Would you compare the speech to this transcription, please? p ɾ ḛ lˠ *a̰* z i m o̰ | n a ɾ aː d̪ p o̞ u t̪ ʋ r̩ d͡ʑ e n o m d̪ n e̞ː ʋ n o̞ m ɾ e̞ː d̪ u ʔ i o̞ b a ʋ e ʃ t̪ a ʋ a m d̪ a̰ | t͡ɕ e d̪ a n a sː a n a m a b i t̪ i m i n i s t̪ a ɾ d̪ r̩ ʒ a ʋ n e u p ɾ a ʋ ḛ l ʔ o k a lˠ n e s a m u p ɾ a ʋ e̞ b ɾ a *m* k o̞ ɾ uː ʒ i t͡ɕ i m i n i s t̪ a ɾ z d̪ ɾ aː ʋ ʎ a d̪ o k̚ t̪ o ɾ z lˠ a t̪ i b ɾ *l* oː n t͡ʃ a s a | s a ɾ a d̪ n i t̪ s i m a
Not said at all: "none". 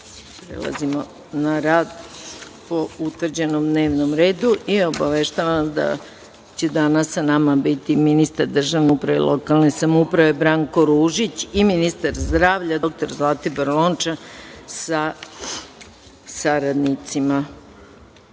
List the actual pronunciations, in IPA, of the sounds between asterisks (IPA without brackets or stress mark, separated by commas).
a̰, ŋ, l